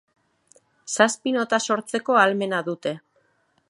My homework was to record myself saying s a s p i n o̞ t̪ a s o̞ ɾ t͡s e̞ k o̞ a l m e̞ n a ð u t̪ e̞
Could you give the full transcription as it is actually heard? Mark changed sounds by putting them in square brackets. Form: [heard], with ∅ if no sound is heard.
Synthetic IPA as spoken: s a s p i n o̞ t̪ a s o̞ ɾ t͡s e̞ k o̞ a l m e̞ n a ð u t̪ e̞